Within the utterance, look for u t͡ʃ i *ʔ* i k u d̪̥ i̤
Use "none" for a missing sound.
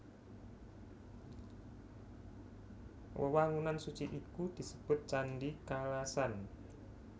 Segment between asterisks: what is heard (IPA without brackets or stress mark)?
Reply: ʔ